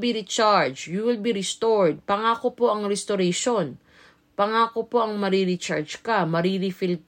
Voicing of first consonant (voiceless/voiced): voiced